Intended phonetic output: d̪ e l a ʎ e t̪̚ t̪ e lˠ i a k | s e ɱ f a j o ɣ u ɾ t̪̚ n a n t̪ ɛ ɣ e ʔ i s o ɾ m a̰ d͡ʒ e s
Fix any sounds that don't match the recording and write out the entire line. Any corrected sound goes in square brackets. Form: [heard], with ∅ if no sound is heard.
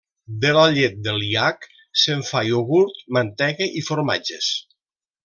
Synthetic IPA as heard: d̪ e l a ʎ e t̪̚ [d̪] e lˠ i a k | s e ɱ f a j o ɣ u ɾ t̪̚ [m] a n t̪ ɛ ɣ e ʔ i [f] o ɾ m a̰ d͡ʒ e s